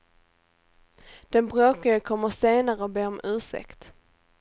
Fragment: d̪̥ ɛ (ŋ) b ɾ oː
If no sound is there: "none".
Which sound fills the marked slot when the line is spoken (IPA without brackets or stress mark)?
n